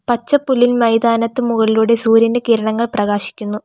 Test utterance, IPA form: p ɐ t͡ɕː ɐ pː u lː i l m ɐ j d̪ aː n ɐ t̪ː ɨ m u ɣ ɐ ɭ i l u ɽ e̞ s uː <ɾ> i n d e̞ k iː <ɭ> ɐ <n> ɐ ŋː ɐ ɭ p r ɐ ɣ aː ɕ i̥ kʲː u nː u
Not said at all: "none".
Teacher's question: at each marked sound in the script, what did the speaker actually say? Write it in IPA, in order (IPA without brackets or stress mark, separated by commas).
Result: ɾ, ɾ, ɳ